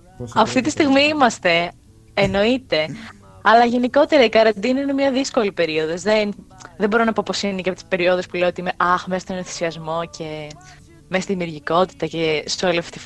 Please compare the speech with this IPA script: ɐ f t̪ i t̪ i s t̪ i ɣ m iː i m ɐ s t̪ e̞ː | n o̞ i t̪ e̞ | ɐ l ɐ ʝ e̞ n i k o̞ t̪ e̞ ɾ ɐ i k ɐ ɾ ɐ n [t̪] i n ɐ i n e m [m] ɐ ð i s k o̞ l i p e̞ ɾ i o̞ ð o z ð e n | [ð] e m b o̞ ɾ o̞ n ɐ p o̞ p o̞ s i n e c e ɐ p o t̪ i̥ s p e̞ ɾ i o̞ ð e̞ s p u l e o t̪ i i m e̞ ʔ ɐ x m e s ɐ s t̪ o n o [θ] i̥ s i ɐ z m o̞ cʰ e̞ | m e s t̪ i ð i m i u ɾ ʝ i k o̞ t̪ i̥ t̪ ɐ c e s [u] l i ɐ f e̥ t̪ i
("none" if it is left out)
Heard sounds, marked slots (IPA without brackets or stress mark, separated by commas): d̪, ɲ, ð, θ, o